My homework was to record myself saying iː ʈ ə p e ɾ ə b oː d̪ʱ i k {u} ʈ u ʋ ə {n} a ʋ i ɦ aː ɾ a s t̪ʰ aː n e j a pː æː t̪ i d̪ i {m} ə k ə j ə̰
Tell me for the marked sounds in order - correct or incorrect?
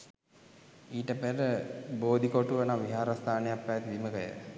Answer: incorrect: o, correct, correct

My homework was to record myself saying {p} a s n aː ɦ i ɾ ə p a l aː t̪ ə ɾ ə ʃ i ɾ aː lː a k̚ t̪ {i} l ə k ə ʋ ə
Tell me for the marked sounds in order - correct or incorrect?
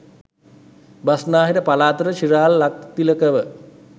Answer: incorrect: b, correct

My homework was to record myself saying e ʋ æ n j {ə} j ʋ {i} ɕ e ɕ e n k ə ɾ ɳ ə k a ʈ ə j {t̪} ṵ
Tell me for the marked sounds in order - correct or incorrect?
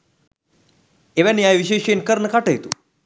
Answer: incorrect: a, correct, correct

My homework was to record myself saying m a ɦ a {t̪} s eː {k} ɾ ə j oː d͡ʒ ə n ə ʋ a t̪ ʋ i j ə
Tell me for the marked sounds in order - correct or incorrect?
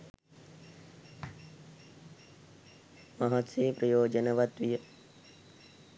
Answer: correct, incorrect: p

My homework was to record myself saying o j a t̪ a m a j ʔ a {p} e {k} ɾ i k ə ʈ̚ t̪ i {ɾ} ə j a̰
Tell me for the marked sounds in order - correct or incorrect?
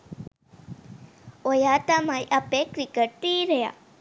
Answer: correct, correct, correct

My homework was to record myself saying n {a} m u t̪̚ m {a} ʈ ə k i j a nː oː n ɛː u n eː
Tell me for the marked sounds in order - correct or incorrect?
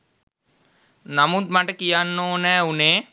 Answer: correct, correct

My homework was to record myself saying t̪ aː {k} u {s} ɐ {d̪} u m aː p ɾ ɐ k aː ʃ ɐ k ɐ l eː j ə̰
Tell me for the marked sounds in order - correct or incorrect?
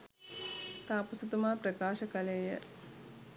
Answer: incorrect: p, correct, incorrect: t̪

